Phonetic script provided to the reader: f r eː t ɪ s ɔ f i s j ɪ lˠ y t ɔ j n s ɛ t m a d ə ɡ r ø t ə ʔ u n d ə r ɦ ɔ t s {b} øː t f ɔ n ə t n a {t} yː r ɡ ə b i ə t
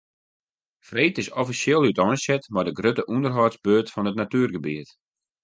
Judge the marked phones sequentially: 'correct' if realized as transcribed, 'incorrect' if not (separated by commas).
correct, correct